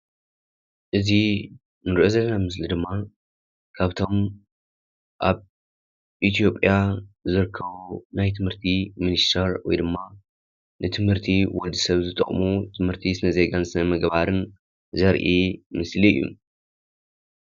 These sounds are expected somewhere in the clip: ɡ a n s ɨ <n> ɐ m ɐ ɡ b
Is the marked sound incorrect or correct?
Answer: correct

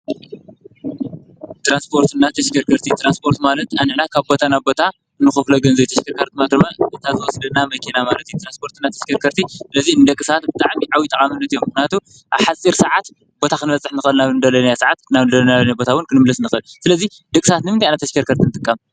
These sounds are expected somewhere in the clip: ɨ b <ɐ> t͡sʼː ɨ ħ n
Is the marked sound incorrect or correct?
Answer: correct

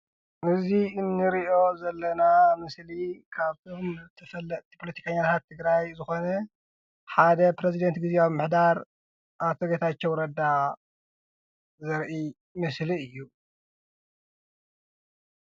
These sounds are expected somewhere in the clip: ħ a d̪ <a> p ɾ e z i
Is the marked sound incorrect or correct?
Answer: incorrect: ɐ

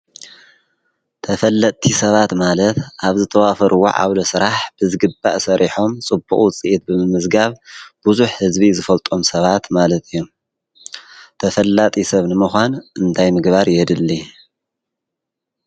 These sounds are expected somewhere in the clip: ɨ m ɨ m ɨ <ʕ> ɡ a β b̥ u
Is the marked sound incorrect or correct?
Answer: incorrect: z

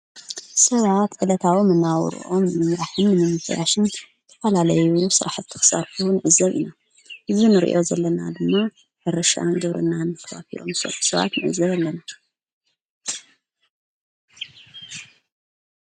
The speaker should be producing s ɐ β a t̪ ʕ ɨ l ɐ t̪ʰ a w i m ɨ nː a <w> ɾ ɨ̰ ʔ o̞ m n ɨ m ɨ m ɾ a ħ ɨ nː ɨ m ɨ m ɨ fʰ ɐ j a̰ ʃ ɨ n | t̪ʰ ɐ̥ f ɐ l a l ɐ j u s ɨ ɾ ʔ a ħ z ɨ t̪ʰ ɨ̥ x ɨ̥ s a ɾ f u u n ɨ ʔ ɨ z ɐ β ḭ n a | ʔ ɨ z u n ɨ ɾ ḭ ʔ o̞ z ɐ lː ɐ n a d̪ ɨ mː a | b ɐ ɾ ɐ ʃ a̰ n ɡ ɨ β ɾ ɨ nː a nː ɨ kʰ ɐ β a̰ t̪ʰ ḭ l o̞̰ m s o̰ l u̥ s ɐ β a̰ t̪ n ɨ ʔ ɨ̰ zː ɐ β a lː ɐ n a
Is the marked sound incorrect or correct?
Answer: correct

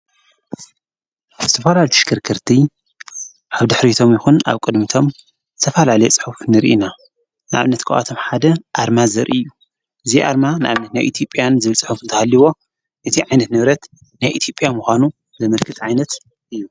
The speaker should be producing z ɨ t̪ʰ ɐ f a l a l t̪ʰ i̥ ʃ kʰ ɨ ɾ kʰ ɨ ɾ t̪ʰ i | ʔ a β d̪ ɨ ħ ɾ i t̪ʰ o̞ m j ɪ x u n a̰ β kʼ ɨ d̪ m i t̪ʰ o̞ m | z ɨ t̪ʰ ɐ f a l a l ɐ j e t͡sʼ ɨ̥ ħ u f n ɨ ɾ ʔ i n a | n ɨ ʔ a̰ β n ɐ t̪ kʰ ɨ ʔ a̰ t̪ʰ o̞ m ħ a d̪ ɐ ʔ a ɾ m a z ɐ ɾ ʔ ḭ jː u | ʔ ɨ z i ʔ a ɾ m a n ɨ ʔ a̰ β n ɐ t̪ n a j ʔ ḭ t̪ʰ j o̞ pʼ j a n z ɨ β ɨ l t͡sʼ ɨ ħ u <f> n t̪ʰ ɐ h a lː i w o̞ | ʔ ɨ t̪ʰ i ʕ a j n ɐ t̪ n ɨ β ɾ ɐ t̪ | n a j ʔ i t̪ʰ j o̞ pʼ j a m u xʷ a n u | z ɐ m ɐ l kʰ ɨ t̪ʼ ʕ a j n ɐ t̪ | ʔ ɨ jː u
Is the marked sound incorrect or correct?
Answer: correct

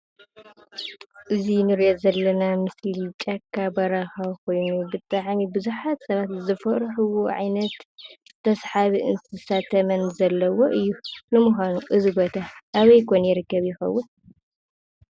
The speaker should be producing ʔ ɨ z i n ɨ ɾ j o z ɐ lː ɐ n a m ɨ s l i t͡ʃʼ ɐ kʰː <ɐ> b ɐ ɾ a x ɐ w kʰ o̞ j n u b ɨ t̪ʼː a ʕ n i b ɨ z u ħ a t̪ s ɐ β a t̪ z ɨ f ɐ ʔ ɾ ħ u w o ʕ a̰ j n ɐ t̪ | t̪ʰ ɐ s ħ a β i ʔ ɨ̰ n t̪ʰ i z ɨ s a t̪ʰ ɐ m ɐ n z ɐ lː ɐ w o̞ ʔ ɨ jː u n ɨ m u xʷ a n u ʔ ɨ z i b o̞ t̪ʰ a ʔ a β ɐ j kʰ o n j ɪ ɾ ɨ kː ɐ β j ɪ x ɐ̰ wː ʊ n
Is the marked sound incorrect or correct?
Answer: incorrect: a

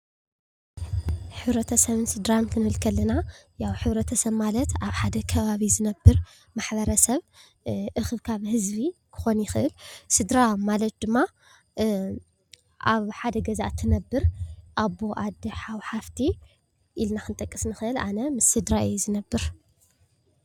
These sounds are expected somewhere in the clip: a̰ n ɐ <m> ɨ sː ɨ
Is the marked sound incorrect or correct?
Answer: correct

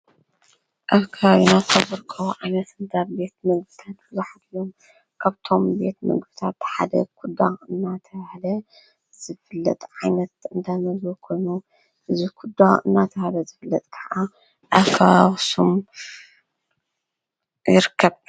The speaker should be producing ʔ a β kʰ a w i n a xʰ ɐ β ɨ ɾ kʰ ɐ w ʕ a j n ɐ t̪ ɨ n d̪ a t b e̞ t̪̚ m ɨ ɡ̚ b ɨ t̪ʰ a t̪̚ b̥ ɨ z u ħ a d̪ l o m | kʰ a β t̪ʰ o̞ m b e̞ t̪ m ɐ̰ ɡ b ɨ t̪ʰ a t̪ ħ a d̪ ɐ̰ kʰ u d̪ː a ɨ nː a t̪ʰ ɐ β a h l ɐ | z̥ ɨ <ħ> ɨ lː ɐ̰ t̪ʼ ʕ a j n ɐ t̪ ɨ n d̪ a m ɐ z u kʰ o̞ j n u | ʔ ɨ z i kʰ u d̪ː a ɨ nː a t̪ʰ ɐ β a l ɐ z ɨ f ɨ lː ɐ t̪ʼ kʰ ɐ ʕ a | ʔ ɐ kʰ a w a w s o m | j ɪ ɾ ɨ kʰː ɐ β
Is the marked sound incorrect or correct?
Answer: incorrect: f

